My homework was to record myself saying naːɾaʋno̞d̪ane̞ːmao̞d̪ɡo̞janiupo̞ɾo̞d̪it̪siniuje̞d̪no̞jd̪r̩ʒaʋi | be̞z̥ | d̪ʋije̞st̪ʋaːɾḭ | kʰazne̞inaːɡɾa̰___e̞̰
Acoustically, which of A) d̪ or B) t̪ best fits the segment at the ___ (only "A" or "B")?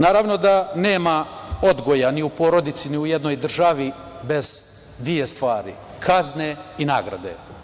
A